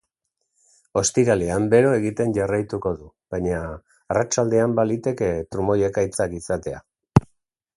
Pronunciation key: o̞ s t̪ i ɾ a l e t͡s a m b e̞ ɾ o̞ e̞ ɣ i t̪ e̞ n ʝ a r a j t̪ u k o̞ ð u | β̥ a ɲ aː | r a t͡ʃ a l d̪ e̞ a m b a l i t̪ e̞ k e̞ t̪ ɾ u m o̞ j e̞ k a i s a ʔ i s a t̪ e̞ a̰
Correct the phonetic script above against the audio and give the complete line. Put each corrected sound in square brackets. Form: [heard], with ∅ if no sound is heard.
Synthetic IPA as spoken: o̞ s t̪ i ɾ a l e [∅] a m b e̞ ɾ o̞ e̞ ɣ i t̪ e̞ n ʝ a r a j t̪ u k o̞ ð u | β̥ a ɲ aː | r a t͡ʃ a l d̪ e̞ a m b a l i t̪ e̞ k e̞ t̪ ɾ u m o̞ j e̞ k a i [t͡s] a [k] i s a t̪ e̞ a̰